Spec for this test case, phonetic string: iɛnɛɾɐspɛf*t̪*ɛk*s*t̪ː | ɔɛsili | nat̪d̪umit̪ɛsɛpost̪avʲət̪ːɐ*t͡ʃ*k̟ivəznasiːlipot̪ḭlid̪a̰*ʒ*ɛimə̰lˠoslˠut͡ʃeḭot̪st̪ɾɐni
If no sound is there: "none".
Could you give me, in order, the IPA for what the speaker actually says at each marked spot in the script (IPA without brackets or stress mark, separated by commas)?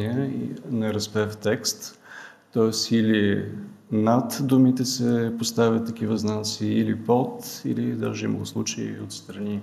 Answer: t̪, s, none, ʒ